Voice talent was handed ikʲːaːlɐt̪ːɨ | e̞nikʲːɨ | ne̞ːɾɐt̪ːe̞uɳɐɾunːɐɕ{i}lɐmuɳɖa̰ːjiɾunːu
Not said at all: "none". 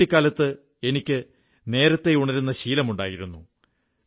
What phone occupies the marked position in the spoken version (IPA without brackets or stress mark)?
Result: iː